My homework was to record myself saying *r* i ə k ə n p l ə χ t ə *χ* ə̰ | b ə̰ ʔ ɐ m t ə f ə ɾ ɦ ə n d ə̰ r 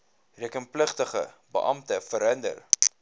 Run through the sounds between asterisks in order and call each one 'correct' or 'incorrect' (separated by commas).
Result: correct, correct